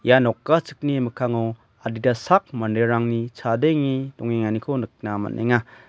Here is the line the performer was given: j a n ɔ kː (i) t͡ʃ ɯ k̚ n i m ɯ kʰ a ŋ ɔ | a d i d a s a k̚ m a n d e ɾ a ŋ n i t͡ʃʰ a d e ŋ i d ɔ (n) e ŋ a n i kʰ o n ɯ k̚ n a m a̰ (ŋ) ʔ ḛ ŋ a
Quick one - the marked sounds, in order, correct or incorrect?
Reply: incorrect: a, incorrect: ŋ, incorrect: n

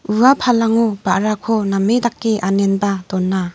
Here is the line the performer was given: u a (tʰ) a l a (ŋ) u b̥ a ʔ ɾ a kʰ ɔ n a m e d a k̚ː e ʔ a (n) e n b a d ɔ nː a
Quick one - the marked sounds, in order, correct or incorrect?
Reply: incorrect: pʰ, correct, correct

